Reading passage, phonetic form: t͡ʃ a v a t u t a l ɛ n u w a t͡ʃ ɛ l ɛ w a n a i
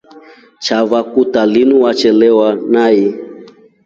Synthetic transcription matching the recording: t͡ʃ a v a k u t a l i n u w a t͡ʃ ɛ l ɛ w a n a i